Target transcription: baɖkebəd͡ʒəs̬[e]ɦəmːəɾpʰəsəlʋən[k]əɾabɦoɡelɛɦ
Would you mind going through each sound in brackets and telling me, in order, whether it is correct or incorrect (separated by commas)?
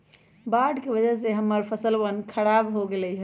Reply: correct, incorrect